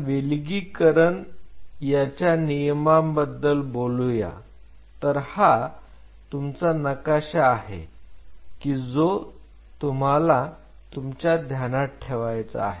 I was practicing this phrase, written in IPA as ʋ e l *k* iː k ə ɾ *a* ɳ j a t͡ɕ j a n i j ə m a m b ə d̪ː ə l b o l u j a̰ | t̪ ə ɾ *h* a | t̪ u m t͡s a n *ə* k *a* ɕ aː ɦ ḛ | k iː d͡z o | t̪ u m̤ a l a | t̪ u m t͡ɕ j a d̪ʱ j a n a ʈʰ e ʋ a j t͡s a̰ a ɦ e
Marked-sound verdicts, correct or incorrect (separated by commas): incorrect, incorrect, correct, correct, correct